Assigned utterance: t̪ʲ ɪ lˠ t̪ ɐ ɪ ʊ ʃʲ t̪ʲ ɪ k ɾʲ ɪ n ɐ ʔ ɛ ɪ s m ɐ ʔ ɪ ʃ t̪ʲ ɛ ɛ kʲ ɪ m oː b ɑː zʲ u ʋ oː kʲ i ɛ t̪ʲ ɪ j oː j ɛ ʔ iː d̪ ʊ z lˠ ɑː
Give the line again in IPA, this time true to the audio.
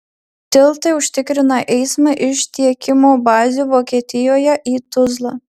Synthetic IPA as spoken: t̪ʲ ɪ lˠ t̪ ɐ ɪ ʊ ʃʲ t̪ʲ ɪ k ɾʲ ɪ n ɐ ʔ ɛ ɪ s m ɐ ʔ ɪ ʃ t̪ʲ i ɛ kʲ ɪ m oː b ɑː zʲ u ʋ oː kʲ i ɛ t̪ʲ ɪ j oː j ɛ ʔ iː t̪ ʊ z lˠ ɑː